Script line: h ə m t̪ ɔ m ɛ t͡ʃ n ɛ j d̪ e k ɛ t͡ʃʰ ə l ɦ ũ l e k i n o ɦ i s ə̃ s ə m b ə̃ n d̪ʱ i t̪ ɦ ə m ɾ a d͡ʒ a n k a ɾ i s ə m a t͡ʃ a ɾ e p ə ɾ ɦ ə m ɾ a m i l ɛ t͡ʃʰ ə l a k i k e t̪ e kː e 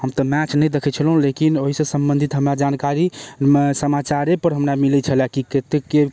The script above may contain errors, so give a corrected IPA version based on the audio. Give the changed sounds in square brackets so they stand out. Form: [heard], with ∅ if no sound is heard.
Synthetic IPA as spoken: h ə m t̪ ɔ m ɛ t͡ʃ n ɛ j d̪ e [kʰ] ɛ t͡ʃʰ ə l ɦ ũ l e k i n o ɦ i s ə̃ s ə m b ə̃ n d̪ʱ i t̪ ɦ ə m ɾ a d͡ʒ a n k a ɾ i s ə m a t͡ʃ a ɾ e p ə ɾ ɦ ə m ɾ a m i l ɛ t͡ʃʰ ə l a k i k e t̪ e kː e